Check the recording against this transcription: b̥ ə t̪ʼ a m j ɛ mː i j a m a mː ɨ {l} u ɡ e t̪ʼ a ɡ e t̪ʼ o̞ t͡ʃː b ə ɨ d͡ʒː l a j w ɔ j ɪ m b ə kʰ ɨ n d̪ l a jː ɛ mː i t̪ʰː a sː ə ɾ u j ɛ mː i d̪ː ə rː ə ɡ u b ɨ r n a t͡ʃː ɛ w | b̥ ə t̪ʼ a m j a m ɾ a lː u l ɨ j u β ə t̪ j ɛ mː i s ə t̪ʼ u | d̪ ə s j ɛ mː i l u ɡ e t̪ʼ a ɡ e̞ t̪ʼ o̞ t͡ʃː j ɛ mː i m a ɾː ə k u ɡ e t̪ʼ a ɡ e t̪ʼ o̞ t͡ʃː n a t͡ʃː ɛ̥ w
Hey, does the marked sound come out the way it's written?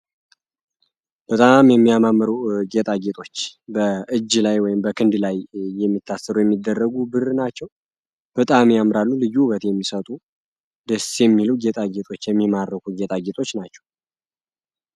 no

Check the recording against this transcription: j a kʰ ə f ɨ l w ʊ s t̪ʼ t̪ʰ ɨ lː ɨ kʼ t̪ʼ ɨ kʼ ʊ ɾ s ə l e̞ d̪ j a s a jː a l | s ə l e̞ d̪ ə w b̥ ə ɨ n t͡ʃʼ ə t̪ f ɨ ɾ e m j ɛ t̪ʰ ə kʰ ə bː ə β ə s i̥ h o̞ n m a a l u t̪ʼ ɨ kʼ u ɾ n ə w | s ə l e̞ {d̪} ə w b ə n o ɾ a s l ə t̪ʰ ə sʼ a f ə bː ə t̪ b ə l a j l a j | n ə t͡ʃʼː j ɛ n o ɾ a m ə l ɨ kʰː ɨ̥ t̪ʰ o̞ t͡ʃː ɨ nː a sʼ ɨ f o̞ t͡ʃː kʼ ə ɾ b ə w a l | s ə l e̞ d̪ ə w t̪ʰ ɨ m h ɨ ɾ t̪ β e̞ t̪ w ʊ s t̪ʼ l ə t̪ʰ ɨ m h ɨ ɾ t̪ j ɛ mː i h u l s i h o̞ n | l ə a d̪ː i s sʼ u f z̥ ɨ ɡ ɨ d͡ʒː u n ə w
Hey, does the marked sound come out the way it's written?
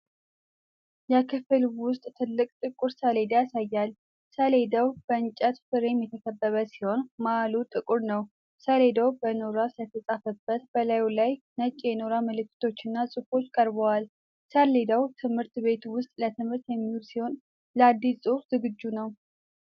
yes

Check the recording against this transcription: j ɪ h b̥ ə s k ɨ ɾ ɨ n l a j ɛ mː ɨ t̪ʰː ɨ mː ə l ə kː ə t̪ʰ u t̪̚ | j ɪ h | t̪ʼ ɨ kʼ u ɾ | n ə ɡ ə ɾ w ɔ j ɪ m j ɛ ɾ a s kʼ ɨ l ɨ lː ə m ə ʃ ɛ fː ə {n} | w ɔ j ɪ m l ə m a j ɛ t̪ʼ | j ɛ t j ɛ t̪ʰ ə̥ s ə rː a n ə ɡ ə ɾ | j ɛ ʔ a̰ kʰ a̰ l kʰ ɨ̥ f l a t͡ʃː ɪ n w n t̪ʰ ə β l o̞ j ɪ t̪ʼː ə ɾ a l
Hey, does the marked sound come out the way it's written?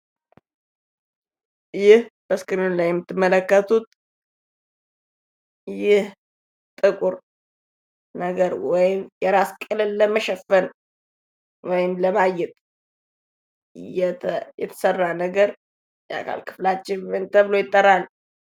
yes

